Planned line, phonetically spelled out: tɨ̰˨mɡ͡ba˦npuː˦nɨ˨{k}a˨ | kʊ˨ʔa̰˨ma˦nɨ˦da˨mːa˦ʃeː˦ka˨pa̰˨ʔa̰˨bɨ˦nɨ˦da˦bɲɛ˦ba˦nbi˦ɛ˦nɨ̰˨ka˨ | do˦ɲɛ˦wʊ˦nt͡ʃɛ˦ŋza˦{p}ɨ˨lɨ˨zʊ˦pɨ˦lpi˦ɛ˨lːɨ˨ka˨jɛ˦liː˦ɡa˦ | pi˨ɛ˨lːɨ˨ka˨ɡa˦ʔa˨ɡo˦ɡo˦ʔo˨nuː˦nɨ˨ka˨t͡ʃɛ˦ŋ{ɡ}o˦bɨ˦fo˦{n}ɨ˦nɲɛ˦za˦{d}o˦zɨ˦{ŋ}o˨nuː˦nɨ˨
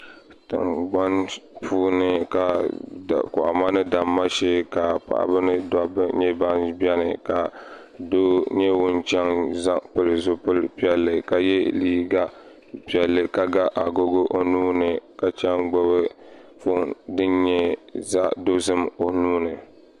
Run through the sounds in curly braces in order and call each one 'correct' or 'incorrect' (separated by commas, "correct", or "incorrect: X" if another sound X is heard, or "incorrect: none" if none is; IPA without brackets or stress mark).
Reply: correct, correct, incorrect: ɡ͡b, incorrect: d, correct, incorrect: m